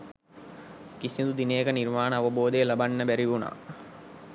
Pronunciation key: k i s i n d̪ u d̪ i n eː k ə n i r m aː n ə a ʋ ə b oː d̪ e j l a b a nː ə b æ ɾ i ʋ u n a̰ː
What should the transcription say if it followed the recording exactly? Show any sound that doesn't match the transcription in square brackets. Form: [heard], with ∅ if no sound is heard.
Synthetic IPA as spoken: k i s i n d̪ u d̪ i n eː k ə n i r m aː n ə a ʋ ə b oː d̪ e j l a b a nː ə b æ ɾ i ʋ u n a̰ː